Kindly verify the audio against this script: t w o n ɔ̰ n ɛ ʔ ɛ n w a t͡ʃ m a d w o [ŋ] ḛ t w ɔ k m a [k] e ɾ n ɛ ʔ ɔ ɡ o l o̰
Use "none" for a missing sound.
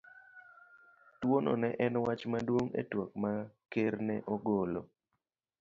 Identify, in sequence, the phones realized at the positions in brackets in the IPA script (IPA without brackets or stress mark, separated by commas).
ŋ, k